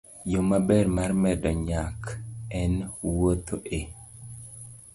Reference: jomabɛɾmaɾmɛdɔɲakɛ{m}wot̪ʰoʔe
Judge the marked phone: incorrect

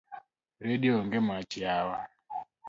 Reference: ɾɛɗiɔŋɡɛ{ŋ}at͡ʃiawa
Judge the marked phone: incorrect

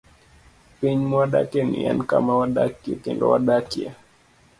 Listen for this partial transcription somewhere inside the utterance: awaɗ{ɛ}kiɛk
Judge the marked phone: incorrect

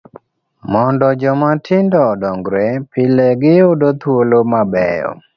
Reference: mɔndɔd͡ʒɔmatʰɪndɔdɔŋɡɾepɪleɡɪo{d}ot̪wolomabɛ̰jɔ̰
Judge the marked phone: correct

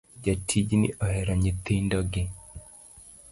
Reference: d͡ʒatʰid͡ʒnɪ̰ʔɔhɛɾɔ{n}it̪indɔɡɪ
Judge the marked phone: incorrect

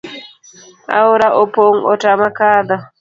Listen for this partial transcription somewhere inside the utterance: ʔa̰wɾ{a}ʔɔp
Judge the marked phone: correct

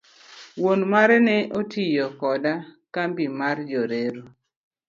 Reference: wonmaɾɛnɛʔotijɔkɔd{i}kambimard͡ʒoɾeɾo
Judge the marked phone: incorrect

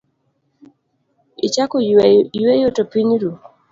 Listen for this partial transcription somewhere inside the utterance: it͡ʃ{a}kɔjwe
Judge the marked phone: correct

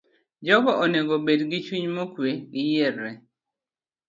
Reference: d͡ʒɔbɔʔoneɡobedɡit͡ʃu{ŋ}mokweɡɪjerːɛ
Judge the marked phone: incorrect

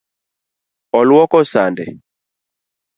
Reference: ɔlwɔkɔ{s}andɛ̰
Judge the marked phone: correct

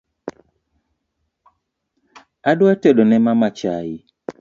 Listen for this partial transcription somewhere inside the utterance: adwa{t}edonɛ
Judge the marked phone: correct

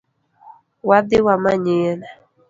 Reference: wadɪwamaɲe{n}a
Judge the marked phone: correct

